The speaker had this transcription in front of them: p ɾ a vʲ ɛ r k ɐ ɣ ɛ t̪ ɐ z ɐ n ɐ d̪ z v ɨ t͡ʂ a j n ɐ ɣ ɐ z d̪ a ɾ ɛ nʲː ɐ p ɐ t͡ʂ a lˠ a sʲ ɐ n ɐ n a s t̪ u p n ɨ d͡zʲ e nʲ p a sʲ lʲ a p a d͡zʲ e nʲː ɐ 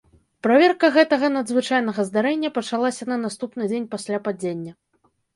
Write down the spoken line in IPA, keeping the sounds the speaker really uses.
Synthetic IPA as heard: p ɾ a vʲ ɛ r k ɐ ɣ ɛ t̪ ɐ ɣ ɐ n ɐ d̪ z v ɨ t͡ʂ a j n ɐ ɣ ɐ z d̪ a ɾ ɛ nʲː ɐ p ɐ t͡ʂ a lˠ a sʲ ɐ n ɐ n a s t̪ u p n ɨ d͡zʲ e nʲ p a sʲ lʲ a p a d͡zʲ e nʲː ɐ

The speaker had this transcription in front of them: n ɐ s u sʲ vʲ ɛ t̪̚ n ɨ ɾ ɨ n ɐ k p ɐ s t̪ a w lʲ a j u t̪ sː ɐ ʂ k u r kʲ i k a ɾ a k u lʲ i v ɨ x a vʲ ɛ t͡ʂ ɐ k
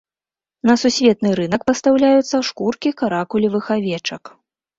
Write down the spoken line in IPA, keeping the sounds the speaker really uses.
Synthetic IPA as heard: n ɐ s u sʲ vʲ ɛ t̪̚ n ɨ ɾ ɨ n ɐ k p ɐ s t̪ a w lʲ a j u t̪ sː ɐ ʂ k u r kʲ i k a ɾ a k u lʲ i v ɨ x a vʲ ɛ t͡ʂ ɐ k

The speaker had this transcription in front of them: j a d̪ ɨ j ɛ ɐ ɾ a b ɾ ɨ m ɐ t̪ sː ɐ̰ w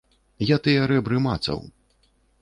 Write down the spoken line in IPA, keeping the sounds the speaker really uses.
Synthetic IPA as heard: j a t̪ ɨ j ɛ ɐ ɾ ɛ b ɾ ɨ m a t̪ s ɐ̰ w

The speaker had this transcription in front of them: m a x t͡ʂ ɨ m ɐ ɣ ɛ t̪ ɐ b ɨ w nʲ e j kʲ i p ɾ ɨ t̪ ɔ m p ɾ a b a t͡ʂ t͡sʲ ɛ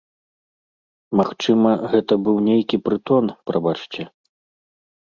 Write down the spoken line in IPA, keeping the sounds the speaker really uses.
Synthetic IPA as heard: m a x t͡ʂ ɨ m ɐ ɣ ɛ t̪ ɐ b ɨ w nʲ e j kʲ i p ɾ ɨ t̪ ɔ n p ɾ a b a t͡ʂ t͡sʲ ɛ

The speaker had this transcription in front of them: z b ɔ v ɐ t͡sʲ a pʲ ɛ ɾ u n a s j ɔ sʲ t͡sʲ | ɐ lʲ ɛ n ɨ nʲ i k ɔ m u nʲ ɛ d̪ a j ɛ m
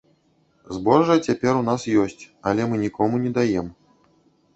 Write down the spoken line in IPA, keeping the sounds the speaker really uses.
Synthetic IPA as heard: z b ɔ ʐ ɐ t͡sʲ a pʲ ɛ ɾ u n a s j ɔ sʲ t͡sʲ | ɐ lʲ ɛ m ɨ nʲ i k ɔ m u nʲ ɛ d̪ a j ɛ m

